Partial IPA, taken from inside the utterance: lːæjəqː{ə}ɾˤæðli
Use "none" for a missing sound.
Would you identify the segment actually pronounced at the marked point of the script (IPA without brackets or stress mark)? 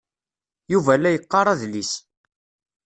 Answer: ɑ